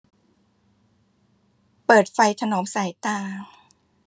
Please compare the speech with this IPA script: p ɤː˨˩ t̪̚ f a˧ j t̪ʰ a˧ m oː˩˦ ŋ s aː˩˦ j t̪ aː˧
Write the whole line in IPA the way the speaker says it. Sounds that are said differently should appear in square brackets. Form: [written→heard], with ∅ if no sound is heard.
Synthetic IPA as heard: p ɤː˨˩ t̪̚ f a˧ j t̪ʰ a˧ [m→n] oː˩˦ [ŋ→m] s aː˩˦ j t̪ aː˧